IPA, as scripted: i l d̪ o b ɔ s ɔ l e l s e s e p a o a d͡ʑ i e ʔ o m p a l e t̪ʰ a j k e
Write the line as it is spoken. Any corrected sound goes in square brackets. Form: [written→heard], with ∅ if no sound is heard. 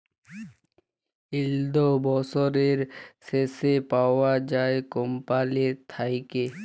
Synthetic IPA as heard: i l d̪ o b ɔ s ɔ [l→ɾ] e [l→ɾ] s e s e p a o a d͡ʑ [i→a] e [ʔ→k] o m p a l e t̪ʰ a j k e